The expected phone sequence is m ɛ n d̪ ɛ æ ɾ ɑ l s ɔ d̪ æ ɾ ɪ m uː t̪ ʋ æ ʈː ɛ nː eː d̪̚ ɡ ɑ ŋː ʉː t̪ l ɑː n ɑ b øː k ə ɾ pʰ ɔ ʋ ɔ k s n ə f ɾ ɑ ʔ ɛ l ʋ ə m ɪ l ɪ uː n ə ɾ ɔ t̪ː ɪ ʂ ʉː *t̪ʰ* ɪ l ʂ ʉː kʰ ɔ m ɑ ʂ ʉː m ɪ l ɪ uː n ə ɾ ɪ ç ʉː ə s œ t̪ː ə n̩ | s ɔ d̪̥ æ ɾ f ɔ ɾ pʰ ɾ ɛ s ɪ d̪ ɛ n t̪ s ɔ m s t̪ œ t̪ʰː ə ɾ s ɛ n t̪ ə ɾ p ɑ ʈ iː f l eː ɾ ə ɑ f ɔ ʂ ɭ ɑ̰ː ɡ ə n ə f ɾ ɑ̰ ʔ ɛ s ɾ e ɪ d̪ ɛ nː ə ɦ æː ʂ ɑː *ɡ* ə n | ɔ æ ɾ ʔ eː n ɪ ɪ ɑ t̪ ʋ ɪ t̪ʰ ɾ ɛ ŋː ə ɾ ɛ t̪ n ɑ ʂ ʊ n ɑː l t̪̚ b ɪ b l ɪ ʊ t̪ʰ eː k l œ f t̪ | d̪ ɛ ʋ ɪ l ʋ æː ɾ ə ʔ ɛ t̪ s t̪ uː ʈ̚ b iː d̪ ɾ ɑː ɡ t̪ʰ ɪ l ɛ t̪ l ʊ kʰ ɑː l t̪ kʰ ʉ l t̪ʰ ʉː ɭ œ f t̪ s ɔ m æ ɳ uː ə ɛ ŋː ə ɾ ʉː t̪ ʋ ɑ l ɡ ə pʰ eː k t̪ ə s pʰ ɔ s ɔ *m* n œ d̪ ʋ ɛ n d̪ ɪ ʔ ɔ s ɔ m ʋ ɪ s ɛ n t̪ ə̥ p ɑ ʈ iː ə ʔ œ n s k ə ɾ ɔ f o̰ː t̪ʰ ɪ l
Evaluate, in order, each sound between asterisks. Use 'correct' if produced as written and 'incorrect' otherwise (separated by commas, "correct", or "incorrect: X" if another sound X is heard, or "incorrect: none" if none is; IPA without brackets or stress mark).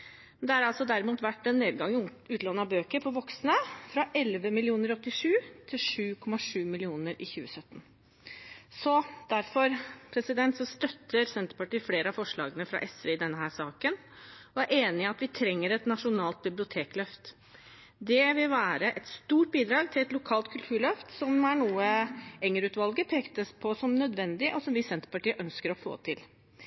correct, incorrect: k, correct